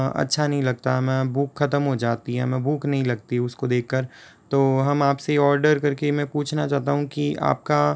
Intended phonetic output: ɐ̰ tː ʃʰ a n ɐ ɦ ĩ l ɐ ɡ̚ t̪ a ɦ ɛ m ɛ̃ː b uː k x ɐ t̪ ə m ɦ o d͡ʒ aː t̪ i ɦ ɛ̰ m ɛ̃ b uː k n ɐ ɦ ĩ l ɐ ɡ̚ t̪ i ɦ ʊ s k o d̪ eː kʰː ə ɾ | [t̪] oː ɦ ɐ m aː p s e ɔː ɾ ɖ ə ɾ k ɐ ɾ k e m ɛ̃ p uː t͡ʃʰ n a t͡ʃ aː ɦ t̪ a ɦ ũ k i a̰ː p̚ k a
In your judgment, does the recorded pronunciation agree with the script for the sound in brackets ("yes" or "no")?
yes